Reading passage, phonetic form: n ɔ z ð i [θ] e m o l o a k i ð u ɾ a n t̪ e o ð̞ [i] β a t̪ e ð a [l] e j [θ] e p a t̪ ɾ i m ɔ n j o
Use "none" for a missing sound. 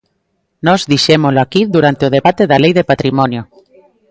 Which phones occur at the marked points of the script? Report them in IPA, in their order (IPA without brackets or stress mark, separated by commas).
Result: ʃ, e, l, ð